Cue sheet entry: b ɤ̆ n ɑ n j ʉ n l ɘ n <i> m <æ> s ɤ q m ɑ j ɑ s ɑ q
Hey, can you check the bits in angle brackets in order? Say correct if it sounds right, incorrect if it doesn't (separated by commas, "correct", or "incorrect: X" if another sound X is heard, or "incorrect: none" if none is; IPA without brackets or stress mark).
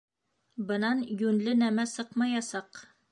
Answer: incorrect: æ, correct